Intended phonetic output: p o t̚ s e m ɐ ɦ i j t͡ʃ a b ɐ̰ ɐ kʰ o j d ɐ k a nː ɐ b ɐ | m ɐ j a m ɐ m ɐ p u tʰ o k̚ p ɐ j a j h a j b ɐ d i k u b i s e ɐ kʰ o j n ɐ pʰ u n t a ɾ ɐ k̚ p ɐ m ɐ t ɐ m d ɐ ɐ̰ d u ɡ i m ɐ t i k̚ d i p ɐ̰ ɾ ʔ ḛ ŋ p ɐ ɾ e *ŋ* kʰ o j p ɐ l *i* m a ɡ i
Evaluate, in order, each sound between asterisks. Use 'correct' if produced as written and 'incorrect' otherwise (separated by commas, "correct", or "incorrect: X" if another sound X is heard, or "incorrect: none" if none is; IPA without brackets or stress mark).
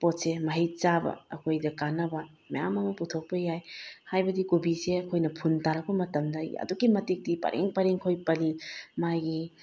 correct, correct